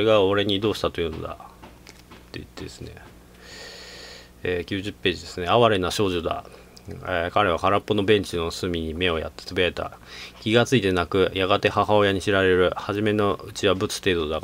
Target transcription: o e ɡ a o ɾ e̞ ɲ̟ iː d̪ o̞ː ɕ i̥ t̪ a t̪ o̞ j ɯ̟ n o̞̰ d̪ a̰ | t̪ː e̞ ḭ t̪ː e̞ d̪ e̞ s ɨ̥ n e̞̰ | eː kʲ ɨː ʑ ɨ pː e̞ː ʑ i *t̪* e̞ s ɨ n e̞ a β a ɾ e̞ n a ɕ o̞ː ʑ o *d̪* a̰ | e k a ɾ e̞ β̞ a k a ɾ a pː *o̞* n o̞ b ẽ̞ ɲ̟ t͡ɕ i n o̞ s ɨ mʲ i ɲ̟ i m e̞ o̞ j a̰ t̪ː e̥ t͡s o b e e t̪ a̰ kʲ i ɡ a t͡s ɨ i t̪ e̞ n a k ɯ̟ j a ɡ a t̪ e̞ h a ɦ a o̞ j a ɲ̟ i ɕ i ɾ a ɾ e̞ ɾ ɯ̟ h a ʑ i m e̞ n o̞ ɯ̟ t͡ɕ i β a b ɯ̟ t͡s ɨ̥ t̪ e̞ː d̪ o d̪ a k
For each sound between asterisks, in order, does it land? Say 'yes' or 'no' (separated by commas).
no, yes, yes